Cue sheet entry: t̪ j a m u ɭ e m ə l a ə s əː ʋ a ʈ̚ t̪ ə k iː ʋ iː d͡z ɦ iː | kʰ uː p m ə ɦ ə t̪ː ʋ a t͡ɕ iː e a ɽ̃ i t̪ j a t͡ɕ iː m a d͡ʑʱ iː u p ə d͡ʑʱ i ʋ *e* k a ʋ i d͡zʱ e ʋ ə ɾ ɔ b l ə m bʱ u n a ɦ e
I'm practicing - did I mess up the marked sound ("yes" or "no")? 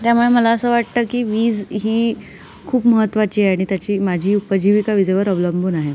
yes